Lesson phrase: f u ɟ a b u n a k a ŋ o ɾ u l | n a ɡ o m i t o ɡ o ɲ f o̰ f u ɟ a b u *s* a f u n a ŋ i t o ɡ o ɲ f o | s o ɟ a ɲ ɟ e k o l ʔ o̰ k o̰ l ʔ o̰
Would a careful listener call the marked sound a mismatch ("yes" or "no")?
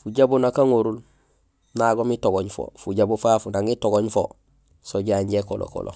yes